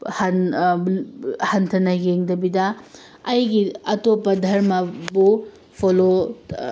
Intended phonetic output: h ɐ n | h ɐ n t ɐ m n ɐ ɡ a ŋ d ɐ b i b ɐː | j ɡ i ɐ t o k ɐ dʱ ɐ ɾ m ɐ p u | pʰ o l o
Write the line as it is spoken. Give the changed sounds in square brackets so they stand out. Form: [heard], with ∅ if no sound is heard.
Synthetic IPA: h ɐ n | h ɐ n [tʰ] ɐ [∅] n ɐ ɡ [e] ŋ d ɐ b i [d] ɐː | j ɡ i ɐ t o [p] ɐ dʱ ɐ ɾ m ɐ [b] u | pʰ o l o